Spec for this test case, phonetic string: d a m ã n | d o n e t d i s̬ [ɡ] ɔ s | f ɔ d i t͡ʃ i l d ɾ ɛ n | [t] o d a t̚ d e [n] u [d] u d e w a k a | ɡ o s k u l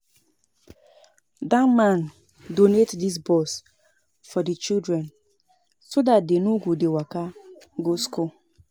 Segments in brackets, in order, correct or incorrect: incorrect: b, incorrect: s, correct, incorrect: ɡ

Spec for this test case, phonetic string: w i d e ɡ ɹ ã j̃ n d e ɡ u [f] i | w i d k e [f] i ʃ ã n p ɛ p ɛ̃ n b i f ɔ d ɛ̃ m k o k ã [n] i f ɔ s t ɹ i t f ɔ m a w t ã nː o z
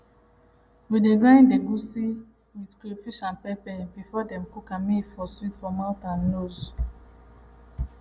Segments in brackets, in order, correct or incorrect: incorrect: s, correct, incorrect: m

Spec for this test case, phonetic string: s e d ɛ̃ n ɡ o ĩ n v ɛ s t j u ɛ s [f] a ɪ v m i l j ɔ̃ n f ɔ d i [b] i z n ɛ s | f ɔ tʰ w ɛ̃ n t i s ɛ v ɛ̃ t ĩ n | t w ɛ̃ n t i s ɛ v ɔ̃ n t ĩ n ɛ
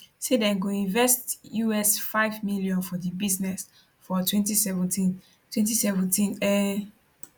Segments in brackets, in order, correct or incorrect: correct, correct

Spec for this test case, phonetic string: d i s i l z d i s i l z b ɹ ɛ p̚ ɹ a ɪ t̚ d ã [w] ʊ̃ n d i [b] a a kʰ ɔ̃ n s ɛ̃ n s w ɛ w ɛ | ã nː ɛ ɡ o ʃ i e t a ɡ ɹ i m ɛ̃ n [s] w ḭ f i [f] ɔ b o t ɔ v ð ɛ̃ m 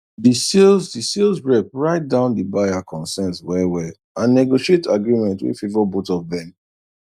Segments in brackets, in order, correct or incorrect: incorrect: none, correct, incorrect: t, incorrect: v

